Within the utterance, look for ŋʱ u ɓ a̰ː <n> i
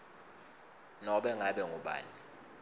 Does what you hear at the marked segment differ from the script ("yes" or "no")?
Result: no